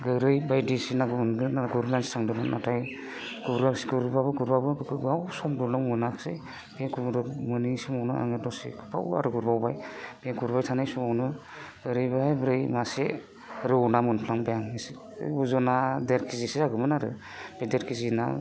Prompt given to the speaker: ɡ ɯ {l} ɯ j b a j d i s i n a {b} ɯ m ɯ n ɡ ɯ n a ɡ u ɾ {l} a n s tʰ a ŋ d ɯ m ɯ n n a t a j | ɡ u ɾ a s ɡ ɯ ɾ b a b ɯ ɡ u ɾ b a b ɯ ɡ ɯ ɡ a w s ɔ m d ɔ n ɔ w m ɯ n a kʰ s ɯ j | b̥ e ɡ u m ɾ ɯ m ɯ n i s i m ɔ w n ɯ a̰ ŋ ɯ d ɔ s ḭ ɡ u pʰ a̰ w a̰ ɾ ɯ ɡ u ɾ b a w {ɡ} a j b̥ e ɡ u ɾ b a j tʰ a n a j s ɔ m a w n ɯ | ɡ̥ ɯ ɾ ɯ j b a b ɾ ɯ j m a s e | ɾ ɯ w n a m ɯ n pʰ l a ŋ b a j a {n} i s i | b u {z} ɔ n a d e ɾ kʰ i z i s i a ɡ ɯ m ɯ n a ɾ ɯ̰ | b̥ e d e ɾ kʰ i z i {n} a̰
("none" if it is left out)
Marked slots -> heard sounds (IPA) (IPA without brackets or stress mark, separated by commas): ɾ, ɡ, l, b, ŋ, z, n